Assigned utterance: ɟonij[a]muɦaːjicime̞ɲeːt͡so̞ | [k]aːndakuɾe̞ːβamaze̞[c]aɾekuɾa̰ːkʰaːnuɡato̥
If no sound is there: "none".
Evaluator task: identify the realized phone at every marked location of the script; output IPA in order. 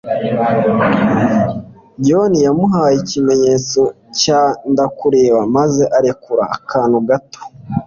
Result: a, c, ʔ

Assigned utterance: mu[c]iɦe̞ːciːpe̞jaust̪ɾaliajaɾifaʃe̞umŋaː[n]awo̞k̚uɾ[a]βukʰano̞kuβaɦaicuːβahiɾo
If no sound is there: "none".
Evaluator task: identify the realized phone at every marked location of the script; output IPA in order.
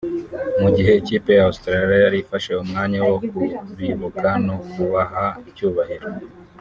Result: ɟ, ɲ, i

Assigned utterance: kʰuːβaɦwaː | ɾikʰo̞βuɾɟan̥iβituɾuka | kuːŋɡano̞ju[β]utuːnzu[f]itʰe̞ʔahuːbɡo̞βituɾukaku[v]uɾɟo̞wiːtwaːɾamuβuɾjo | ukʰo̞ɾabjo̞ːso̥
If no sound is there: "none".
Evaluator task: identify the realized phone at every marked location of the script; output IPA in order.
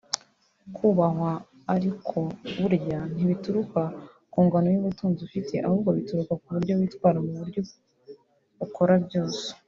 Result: β, f, β

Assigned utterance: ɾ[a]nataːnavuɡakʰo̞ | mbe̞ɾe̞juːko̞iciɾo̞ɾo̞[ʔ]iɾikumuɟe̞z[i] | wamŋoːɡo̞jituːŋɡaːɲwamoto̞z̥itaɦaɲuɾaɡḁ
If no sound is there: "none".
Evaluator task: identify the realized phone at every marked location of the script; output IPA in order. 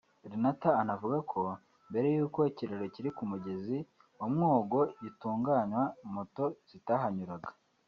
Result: i, c, i

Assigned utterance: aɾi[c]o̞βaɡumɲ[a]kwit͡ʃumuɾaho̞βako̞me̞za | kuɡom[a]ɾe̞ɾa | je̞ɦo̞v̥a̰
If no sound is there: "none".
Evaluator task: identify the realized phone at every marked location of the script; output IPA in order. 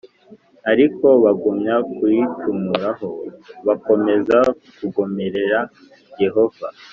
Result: k, a, e

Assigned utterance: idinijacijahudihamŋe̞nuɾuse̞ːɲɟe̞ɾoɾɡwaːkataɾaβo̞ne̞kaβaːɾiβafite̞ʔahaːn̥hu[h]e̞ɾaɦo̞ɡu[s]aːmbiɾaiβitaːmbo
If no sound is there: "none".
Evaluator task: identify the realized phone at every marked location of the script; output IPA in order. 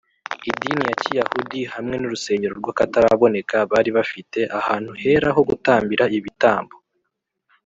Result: h, t

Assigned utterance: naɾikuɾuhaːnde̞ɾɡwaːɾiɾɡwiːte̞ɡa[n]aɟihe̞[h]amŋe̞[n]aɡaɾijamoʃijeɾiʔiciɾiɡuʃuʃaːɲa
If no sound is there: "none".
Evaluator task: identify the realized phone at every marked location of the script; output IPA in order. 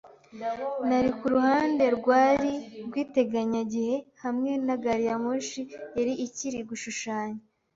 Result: ɲ, h, n

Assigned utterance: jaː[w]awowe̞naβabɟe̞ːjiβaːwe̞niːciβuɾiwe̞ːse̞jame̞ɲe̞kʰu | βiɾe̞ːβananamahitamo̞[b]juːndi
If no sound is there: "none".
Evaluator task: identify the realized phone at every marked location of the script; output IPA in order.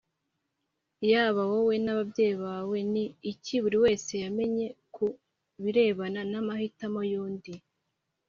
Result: β, none

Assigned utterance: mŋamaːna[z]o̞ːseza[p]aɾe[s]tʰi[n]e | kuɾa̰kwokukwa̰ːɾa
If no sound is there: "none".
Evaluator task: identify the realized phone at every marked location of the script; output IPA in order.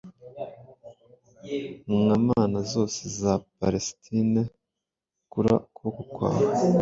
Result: z, p, s, n

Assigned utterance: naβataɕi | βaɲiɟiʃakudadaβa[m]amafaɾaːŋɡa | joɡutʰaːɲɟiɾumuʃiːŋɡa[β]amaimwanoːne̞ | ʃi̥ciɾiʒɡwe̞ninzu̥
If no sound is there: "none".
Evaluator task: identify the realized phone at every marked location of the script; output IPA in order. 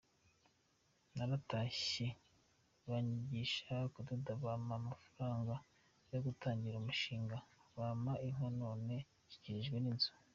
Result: m, β

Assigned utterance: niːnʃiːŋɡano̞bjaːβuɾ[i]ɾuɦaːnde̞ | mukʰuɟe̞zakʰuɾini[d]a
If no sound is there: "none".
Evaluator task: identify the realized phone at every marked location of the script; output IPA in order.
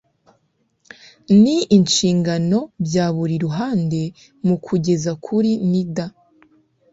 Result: i, d

